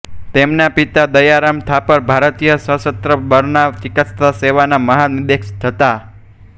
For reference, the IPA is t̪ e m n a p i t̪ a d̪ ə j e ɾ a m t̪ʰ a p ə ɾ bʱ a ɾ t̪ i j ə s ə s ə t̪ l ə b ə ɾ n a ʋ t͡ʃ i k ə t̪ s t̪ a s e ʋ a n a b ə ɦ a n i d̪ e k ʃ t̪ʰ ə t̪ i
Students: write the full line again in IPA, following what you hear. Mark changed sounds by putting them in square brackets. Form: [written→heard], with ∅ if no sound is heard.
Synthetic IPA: t̪ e m n a p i t̪ a d̪ ə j [e→a] ɾ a m t̪ʰ a p ə ɾ bʱ a ɾ t̪ i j ə s ə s ə t̪ [l→ɾ] ə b ə ɾ n a ʋ t͡ʃ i k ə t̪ s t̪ a s e ʋ a n a [b→m] ə ɦ a n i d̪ e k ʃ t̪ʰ ə t̪ [i→a]